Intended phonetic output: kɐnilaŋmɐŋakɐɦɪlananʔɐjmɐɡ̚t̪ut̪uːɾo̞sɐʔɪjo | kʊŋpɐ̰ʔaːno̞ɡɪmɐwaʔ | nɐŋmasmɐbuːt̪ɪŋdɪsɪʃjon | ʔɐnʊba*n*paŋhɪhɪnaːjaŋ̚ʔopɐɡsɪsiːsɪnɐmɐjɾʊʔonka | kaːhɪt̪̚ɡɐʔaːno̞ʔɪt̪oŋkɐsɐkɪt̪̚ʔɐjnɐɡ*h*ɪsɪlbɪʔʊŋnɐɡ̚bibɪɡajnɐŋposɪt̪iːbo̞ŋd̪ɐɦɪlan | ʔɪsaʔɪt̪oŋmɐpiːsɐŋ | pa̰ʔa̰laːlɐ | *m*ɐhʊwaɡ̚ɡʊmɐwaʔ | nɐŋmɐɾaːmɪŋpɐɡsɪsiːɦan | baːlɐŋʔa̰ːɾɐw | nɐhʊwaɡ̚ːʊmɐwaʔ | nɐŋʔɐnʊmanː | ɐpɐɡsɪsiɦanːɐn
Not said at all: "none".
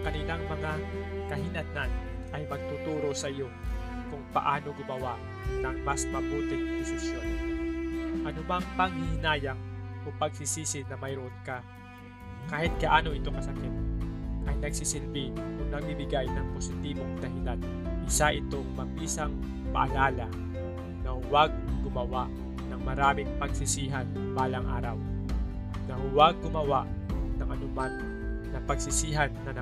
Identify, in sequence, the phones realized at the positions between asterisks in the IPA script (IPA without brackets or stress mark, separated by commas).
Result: ŋ, s, n